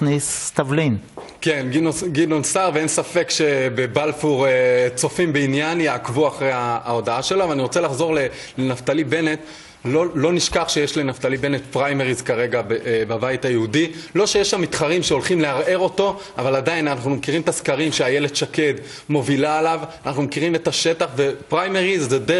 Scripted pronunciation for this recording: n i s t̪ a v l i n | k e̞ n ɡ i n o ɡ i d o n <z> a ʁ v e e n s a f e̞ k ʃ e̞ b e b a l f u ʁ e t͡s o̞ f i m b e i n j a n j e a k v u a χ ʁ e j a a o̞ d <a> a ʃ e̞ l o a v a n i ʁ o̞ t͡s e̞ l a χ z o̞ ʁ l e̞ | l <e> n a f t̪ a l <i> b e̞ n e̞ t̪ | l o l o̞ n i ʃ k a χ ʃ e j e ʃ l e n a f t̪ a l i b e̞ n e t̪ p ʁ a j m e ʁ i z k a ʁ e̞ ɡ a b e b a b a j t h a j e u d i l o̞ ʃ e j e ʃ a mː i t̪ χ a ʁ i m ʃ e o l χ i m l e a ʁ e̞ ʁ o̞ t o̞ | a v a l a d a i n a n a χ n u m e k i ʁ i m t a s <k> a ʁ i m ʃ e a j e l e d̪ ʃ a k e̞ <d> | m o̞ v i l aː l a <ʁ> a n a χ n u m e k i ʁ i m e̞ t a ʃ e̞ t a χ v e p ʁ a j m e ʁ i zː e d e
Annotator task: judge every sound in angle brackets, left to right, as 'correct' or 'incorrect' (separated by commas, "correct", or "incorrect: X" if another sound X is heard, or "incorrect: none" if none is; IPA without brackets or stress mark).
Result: incorrect: s, correct, correct, correct, correct, correct, incorrect: v